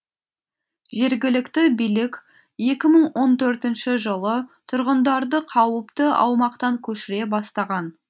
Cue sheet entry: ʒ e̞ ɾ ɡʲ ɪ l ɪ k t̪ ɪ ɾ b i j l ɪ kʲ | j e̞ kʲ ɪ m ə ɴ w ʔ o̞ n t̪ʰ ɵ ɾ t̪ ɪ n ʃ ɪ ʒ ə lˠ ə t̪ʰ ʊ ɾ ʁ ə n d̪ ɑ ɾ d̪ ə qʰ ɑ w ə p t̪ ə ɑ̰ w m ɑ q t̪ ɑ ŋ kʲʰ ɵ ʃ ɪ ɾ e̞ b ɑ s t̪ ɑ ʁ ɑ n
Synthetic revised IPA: ʒ e̞ ɾ ɡʲ ɪ l ɪ k t̪ ɪ b i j l ɪ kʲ | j e̞ kʲ ɪ m ə ɴ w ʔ o̞ n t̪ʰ ɵ ɾ t̪ ɪ n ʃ ɪ ʒ ə lˠ ə t̪ʰ ʊ ɾ ʁ ə n d̪ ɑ ɾ d̪ ə qʰ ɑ w ə p t̪ ə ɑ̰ w m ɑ q t̪ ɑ ŋ kʲʰ ɵ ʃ ɪ ɾ e̞ b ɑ s t̪ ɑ ʁ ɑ n